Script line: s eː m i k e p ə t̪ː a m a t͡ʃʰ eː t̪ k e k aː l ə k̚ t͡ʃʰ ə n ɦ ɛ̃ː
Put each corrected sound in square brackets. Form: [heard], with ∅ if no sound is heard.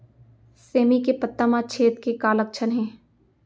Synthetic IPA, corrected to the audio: s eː m i k e p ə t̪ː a m a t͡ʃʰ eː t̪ k e k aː l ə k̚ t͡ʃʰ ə n ɦ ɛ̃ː